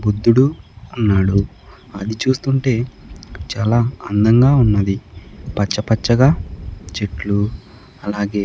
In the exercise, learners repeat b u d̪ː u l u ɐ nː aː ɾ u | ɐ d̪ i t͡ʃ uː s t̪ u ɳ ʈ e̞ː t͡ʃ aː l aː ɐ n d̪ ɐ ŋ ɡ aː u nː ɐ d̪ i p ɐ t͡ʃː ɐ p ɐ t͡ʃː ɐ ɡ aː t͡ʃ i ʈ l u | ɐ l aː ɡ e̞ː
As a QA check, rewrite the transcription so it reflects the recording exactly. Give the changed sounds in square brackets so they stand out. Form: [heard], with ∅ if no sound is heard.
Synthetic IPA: b u d̪ː u [ɽ] u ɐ nː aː [ɽ] u | ɐ d̪ i t͡ʃ uː s t̪ u ɳ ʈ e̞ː t͡ʃ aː l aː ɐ n d̪ ɐ ŋ ɡ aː u nː ɐ d̪ i p ɐ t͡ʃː ɐ p ɐ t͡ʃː ɐ ɡ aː t͡ʃ [e] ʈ l u | ɐ l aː ɡ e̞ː